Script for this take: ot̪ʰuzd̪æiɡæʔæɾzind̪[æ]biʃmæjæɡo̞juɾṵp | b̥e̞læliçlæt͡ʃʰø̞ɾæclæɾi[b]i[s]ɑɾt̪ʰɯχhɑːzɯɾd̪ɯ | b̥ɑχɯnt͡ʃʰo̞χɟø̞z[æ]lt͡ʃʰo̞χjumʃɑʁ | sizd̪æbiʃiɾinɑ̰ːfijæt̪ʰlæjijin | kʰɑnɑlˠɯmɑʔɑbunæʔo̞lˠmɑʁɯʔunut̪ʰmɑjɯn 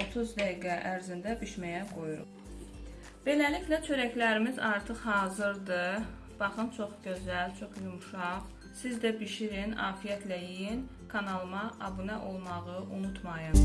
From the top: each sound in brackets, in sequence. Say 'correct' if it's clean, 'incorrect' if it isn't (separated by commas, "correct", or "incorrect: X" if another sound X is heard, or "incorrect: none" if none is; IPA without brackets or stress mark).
correct, incorrect: m, incorrect: z, correct